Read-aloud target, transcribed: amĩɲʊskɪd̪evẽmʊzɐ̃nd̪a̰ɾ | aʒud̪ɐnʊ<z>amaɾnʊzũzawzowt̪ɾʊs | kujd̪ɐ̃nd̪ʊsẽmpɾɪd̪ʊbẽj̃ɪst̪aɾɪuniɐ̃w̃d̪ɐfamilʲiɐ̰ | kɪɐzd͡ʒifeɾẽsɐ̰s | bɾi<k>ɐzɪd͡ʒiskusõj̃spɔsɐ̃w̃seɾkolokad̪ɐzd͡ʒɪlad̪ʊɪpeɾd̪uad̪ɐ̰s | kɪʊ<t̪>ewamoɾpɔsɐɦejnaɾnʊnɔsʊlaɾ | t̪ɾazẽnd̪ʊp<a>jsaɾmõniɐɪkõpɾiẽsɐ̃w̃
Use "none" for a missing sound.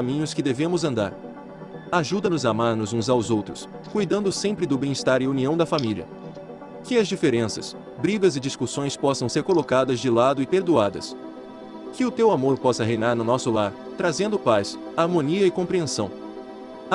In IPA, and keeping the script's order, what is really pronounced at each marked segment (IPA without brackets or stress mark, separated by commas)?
z, ɡ, t̪, a